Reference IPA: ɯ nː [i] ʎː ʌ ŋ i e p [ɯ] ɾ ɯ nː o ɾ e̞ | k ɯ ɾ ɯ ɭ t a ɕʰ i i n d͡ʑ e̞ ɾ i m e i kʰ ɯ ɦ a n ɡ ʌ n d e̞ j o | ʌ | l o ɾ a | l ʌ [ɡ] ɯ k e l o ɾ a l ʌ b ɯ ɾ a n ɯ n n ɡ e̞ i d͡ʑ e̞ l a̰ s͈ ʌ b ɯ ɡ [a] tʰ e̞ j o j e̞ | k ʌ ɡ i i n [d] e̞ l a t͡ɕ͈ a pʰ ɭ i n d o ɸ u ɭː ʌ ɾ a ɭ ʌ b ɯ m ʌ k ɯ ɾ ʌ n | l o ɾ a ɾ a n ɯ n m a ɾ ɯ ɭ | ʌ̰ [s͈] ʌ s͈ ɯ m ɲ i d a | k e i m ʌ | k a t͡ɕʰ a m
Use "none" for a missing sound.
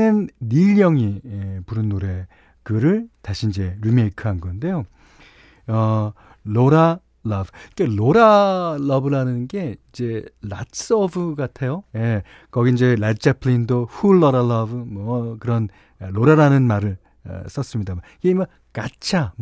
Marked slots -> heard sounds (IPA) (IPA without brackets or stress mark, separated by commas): i, u, b, a, d͡ʑ, s͈